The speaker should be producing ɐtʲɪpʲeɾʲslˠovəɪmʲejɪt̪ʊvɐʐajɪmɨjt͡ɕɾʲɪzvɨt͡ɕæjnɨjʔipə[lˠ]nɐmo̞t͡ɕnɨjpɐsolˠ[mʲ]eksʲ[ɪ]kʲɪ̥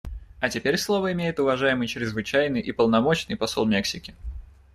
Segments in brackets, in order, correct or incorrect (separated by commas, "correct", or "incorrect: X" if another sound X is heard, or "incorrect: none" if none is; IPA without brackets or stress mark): correct, correct, correct